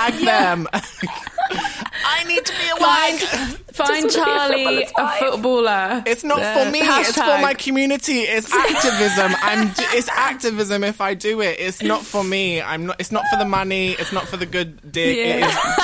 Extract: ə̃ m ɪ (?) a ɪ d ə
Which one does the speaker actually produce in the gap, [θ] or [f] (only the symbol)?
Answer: f